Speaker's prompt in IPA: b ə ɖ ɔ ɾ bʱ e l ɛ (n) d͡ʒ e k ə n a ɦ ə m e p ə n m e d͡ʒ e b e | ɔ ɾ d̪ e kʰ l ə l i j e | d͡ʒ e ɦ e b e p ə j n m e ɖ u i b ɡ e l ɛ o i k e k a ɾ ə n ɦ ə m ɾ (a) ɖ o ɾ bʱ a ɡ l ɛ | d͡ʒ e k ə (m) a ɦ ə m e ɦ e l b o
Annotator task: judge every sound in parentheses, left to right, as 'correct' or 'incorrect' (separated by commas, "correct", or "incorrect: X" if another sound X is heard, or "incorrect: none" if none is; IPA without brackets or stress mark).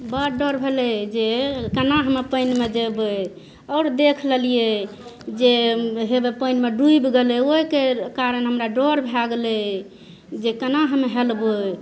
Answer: incorrect: none, correct, incorrect: n